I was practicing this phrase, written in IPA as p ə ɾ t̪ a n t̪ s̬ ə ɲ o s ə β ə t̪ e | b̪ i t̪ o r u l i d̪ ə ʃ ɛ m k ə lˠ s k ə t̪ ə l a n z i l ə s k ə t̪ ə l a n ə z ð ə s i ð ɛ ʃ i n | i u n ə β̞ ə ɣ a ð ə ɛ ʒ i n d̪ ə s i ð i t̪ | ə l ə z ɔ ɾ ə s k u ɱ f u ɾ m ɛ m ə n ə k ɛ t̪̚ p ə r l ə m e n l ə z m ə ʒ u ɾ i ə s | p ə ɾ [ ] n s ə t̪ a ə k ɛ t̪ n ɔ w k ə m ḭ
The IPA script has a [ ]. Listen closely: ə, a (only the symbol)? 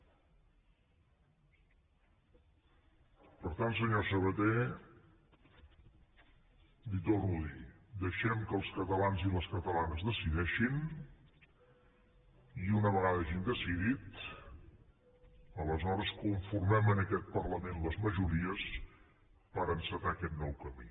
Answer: ə